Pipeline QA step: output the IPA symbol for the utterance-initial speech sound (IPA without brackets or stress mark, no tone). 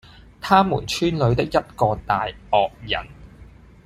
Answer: t̪ʰ